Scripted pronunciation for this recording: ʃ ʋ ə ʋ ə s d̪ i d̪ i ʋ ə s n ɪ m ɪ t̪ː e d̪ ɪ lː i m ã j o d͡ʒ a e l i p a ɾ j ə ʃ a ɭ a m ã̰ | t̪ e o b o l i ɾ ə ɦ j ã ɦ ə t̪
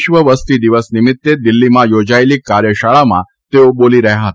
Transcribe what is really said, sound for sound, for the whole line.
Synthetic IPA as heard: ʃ ʋ ə ʋ ə s t̪ i d̪ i ʋ ə s n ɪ m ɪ t̪ː e d̪ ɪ lː i m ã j o d͡ʒ a e l i k a ɾ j ə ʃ a ɭ a m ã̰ | t̪ e o b o l i ɾ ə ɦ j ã ɦ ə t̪